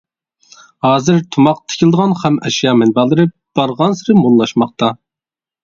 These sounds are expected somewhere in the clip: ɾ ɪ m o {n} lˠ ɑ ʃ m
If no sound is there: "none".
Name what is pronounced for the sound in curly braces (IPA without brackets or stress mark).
n